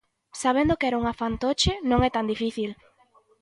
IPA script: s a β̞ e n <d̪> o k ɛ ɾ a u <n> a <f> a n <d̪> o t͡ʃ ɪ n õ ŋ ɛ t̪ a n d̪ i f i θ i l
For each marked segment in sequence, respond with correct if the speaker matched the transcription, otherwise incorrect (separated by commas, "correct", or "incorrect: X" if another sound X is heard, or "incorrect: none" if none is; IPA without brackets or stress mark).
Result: correct, incorrect: ŋ, correct, incorrect: t̪